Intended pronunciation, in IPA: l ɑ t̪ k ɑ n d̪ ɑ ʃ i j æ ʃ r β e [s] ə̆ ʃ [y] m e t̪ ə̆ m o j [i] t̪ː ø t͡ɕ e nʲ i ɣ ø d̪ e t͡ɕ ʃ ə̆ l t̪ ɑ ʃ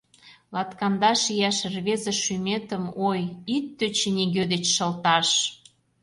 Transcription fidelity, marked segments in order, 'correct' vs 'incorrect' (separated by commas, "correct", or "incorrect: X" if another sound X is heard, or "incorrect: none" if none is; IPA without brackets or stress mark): incorrect: z, correct, correct